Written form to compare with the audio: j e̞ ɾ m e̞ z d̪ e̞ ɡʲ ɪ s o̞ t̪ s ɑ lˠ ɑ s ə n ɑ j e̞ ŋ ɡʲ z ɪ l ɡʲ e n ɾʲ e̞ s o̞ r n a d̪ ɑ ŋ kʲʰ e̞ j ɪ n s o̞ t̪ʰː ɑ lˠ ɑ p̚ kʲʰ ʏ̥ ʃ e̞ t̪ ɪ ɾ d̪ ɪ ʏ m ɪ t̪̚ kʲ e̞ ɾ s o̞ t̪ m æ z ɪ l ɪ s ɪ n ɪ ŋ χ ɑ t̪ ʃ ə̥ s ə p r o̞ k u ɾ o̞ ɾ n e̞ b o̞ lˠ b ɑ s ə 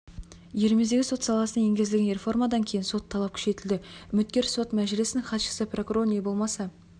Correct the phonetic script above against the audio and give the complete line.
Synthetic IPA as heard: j e̞ ɾ m e̞ z d̪ e̞ ɡʲ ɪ s o̞ t̪ s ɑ lˠ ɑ s ə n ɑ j e̞ ŋ ɡʲ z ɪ l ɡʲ e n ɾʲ e̞ f o̞ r m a d̪ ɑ ŋ kʲʰ e̞ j ɪ n s o̞ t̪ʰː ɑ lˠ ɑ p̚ kʲʰ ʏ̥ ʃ e̞ t̪ ɪ l d̪ ɪ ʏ m ɪ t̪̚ kʲ e̞ ɾ s o̞ t̪ m æ ʒ ɪ l ɪ s ɪ n ɪ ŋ χ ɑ t̪ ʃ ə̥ s ə p r o̞ k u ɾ o̞ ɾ n e̞ b o̞ lˠ m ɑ s ɑ

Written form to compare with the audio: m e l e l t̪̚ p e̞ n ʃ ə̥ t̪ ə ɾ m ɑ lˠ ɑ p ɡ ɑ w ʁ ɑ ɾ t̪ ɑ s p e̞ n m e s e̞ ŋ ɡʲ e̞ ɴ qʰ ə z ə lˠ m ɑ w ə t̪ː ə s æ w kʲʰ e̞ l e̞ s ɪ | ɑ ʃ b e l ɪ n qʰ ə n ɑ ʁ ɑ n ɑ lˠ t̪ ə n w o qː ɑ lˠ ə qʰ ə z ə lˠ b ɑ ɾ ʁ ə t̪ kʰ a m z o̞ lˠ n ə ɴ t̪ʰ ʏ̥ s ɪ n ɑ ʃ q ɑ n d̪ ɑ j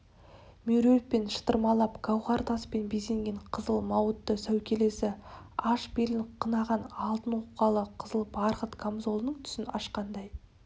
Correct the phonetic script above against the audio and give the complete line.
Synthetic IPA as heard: m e ɾ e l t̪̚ p e̞ n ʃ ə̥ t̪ ə ɾ m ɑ lˠ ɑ p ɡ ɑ w ʁ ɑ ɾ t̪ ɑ s p e̞ n b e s e̞ ŋ ɡʲ e̞ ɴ qʰ ə z ə lˠ m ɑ w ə t̪ː ə s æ w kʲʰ e̞ l e̞ s ɪ | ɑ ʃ b e l ɪ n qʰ ə n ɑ ʁ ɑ n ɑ lˠ t̪ ə n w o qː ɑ lˠ ə qʰ ə z ə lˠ b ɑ ɾ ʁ ə t̪ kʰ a m z o̞ lˠ n ə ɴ t̪ʰ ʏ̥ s ɪ n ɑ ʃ q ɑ n d̪ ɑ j

